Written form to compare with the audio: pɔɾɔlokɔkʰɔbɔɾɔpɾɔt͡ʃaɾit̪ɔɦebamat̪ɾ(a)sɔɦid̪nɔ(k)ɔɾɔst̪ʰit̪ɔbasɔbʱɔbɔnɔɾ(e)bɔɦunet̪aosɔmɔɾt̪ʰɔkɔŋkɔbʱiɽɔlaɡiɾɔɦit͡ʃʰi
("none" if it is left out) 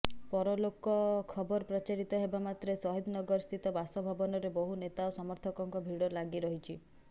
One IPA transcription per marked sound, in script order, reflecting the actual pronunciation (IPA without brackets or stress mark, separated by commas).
e, ɡ, e